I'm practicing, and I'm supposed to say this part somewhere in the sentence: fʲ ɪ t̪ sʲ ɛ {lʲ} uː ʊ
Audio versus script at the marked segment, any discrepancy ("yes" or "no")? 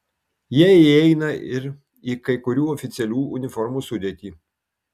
no